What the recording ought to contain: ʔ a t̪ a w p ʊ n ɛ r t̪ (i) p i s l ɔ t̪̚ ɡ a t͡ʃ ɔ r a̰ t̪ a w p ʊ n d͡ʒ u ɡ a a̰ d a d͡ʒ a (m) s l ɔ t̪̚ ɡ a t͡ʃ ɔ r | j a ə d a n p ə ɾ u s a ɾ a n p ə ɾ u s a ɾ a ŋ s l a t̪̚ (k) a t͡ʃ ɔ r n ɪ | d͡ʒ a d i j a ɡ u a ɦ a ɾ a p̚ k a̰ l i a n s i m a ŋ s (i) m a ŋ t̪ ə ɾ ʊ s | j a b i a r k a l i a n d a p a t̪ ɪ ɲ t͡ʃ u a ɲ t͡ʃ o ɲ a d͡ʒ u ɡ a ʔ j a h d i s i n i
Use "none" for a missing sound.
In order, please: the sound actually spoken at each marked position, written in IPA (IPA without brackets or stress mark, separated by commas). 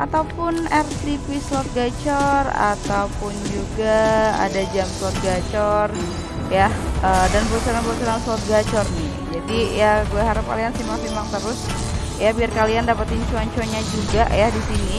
i, m, ɡ, i